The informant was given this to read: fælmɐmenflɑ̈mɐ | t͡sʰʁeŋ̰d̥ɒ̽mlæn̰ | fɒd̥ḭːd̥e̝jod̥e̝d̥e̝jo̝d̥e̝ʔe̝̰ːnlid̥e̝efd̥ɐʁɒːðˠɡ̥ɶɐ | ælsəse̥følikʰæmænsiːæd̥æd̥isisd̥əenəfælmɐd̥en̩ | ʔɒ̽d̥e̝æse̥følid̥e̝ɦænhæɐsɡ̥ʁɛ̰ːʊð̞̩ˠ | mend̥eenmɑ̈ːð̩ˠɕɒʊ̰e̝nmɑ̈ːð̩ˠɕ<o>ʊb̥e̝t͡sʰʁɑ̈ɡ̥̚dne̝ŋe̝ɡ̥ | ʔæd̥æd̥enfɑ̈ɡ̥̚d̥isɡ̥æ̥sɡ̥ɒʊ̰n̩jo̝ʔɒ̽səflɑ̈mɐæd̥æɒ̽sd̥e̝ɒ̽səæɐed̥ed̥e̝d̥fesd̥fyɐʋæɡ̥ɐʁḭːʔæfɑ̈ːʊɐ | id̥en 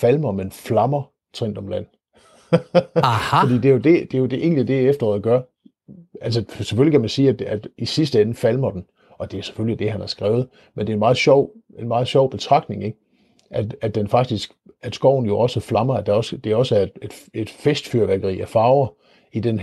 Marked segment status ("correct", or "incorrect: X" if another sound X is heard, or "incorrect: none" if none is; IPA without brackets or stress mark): incorrect: ɒ